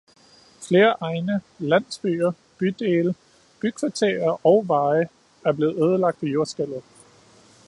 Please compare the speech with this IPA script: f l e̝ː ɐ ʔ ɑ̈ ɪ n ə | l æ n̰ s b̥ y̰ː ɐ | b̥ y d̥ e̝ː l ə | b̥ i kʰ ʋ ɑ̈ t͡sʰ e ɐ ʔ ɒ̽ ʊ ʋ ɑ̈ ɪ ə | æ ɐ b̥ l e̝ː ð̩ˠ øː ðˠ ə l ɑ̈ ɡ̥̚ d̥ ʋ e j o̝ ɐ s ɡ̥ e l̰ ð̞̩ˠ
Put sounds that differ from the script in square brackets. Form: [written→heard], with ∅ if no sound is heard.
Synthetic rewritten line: f l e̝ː ɐ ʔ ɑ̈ ɪ n ə | l æ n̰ s b̥ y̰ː ɐ | b̥ y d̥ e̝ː l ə | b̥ [i→y] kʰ ʋ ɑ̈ t͡sʰ e ɐ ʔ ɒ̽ ʊ ʋ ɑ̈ ɪ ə | æ ɐ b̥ l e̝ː ð̩ˠ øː ðˠ ə l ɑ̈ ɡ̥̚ d̥ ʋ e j o̝ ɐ s ɡ̥ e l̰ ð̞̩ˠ